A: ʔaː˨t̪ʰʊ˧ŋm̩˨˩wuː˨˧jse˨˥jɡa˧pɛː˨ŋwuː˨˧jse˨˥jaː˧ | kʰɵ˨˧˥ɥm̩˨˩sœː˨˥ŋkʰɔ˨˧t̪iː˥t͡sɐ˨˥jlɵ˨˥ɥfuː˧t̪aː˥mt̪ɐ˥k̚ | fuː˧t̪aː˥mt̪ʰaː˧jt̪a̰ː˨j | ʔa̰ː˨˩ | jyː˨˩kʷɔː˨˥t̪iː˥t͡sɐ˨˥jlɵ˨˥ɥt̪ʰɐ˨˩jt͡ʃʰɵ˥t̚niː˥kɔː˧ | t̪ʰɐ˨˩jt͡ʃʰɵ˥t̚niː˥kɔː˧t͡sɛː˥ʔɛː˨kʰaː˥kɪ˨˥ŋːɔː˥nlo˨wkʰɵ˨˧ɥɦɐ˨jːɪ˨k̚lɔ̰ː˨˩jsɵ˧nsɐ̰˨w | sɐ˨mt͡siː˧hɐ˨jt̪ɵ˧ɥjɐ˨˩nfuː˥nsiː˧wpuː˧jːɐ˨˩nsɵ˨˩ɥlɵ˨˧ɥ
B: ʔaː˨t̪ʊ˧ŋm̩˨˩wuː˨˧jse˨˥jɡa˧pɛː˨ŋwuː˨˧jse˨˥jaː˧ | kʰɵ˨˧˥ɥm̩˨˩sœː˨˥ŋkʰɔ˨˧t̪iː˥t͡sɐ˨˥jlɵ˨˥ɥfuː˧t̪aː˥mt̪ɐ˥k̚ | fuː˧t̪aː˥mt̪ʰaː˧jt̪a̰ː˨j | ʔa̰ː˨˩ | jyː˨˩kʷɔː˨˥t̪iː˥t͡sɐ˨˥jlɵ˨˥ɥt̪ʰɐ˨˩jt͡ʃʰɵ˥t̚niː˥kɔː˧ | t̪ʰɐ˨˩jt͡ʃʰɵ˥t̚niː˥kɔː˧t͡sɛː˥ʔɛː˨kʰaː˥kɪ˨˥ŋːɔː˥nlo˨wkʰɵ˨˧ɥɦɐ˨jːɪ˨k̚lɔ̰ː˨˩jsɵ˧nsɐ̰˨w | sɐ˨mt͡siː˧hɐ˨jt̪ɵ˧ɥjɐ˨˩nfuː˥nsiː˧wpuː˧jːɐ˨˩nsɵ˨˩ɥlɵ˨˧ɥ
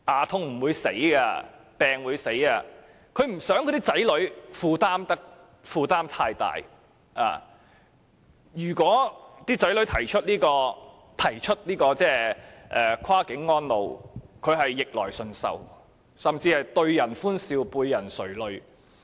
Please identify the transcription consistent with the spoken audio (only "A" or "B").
A